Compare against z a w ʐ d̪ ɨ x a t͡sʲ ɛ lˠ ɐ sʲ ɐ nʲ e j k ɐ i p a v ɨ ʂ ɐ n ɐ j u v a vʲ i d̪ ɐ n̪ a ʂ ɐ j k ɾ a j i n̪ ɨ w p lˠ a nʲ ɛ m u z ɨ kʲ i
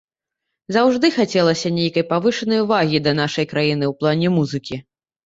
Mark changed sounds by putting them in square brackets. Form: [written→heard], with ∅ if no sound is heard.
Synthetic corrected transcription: z a w ʐ d̪ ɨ x a t͡sʲ ɛ lˠ ɐ sʲ ɐ nʲ e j k ɐ [i→j] p a v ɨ ʂ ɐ n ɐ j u v a [vʲ→ɣʲ] i d̪ ɐ n̪ a ʂ ɐ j k ɾ a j i n̪ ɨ w p lˠ a nʲ ɛ m u z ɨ kʲ i